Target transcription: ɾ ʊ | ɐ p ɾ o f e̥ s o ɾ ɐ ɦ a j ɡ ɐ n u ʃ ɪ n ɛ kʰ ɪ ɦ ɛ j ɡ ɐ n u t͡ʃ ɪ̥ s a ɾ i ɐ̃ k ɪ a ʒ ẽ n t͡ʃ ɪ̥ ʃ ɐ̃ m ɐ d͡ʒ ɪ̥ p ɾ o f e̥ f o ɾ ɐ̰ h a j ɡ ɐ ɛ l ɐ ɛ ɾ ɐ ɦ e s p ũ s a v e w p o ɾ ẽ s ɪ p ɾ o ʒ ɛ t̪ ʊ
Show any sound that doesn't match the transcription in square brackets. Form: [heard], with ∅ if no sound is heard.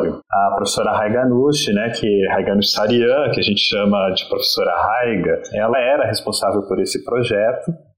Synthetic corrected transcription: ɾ ʊ | ɐ p ɾ o f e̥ s o ɾ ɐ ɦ a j ɡ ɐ n u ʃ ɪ n ɛ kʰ ɪ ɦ [a] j ɡ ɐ n u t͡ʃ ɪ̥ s a ɾ i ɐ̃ k ɪ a ʒ ẽ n t͡ʃ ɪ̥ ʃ ɐ̃ m ɐ d͡ʒ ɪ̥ p ɾ o f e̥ [s] o ɾ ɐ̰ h a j ɡ ɐ ɛ l ɐ ɛ ɾ ɐ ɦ e s p [õ] s a v e w p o ɾ [e] s ɪ p ɾ o ʒ ɛ t̪ ʊ